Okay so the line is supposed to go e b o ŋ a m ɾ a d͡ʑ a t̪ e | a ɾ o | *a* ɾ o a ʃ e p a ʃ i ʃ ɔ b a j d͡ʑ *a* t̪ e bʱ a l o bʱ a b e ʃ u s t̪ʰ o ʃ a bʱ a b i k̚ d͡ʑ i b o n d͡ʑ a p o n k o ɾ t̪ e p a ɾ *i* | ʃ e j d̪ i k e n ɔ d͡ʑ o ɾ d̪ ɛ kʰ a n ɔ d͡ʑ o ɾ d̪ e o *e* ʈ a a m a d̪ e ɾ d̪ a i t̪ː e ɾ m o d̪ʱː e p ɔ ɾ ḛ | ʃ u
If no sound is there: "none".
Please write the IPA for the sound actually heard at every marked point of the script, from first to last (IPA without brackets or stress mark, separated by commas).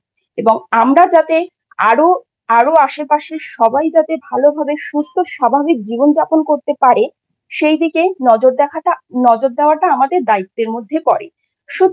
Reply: a, a, e, a